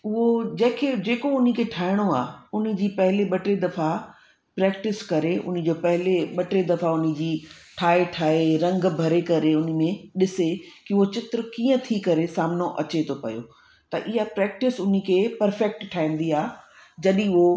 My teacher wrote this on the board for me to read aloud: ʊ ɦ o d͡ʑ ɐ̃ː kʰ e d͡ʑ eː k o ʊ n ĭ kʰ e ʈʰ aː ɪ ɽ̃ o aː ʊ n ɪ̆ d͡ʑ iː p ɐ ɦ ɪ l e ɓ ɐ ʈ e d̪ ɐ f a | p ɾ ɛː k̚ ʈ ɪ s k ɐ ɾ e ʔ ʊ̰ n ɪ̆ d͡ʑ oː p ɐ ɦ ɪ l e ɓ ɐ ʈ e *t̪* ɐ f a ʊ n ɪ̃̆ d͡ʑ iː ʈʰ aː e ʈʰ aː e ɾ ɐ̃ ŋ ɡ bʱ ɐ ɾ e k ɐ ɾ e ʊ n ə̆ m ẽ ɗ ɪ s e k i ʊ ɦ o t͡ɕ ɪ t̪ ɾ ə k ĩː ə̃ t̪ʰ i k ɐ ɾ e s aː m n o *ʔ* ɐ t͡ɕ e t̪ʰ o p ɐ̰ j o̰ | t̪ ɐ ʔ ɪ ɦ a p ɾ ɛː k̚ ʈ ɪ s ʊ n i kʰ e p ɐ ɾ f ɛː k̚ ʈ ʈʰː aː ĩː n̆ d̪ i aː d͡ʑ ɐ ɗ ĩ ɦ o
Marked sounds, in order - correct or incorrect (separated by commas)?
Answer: incorrect, correct